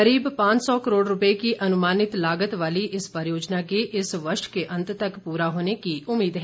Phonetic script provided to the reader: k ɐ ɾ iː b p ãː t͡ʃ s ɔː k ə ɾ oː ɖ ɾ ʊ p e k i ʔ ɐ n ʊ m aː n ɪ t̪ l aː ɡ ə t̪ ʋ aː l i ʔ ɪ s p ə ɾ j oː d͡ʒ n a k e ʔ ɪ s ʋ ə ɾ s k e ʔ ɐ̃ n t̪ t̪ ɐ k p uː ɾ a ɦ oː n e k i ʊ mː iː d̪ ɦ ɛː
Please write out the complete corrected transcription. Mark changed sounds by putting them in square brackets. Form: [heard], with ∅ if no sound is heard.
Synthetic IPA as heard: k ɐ ɾ iː b p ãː t͡ʃ s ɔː k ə ɾ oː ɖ ɾ ʊ p e k i ʔ ɐ n ʊ m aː n ɪ t̪ l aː ɡ ə t̪ ʋ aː l i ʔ ɪ s p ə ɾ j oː d͡ʒ n a k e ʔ ɪ s ʋ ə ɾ [ʃ] k e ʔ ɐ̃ n t̪ t̪ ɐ k p uː ɾ a ɦ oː n e k i ʊ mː iː d̪ ɦ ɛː